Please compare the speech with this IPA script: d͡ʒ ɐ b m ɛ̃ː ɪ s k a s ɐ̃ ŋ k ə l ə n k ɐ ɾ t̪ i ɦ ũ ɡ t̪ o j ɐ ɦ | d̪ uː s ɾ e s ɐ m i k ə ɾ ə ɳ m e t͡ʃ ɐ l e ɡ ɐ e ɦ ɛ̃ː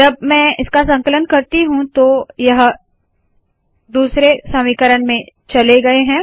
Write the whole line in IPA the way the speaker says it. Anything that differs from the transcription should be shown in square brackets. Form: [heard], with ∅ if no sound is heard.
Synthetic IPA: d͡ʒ ɐ b m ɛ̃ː ɪ s k a s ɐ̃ ŋ k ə l ə n k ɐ ɾ t̪ i ɦ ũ [∅] t̪ o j ɐ ɦ | d̪ uː s ɾ e s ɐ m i k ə ɾ ə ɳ m [ẽ] t͡ʃ ɐ l e ɡ ɐ e ɦ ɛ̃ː